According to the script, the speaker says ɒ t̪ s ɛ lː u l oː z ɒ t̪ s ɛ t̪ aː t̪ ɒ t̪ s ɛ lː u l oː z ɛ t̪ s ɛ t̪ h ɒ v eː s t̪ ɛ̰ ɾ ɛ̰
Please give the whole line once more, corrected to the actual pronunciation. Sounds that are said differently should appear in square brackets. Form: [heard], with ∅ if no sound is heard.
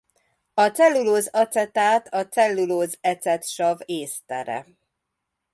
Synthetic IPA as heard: ɒ t̪ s ɛ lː u l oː z ɒ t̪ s ɛ t̪ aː t̪ ɒ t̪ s ɛ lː u l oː z ɛ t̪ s ɛ t̪ [ʃ] ɒ v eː s t̪ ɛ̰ ɾ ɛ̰